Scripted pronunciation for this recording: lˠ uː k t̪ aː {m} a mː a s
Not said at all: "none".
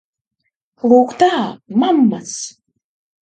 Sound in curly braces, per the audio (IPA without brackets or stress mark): m